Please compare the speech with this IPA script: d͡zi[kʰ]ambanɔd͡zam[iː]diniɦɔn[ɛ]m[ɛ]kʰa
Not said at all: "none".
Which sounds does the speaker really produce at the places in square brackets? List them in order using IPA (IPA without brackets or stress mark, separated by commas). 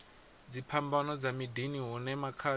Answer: pʰ, i, ɛ, a